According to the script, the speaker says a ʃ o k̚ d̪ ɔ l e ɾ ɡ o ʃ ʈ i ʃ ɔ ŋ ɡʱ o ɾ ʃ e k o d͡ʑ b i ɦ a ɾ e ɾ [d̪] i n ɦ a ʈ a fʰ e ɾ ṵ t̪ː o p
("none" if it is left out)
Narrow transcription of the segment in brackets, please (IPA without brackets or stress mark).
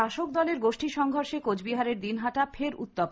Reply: d̪